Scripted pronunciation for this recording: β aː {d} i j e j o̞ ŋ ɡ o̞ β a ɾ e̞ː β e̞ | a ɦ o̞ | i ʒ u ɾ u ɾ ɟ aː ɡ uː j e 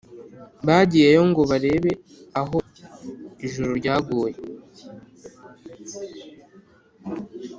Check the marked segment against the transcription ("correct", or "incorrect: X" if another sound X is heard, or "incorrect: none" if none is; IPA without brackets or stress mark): incorrect: ɟ